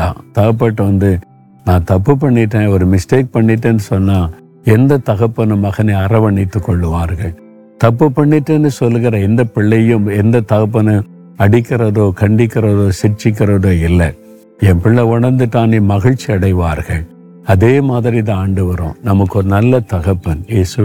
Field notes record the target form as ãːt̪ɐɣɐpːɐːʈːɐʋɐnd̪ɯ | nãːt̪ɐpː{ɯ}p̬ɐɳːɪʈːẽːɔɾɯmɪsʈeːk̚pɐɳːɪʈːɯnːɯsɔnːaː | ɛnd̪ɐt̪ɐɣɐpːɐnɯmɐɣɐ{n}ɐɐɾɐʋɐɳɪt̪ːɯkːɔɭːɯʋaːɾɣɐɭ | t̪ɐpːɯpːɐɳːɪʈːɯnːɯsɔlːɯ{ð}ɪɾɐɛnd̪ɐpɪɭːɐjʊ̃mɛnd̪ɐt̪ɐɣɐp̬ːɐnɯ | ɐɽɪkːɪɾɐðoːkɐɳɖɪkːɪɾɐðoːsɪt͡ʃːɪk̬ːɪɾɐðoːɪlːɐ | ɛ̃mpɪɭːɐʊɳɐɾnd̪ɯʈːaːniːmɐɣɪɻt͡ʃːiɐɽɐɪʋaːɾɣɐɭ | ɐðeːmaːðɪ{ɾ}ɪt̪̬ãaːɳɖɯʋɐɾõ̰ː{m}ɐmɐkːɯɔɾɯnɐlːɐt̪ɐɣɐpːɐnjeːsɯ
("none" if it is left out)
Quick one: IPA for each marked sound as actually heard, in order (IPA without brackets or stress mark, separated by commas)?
ɯ, n, ɣ, ɾ, n